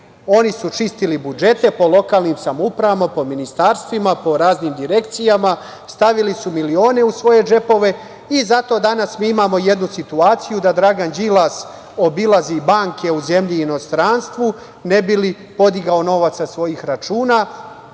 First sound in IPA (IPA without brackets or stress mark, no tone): o̞